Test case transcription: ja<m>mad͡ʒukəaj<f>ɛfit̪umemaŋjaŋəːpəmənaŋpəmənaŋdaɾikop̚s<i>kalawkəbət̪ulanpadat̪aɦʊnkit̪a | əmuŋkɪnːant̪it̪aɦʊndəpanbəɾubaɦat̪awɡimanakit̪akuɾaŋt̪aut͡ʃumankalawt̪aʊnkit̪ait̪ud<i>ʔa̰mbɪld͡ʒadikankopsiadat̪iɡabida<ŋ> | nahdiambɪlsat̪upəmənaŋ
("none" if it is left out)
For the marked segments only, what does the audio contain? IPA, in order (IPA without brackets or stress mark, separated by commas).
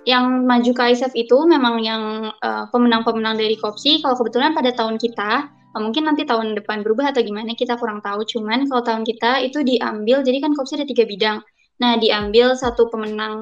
ŋ, s, i, i, ŋ